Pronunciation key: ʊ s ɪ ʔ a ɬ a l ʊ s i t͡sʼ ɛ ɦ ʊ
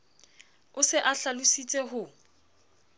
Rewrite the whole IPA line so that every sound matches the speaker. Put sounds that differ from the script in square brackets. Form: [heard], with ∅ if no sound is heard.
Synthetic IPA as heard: ʊ s ɪ ʔ a ɬ a l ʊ s i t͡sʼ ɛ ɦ ʊ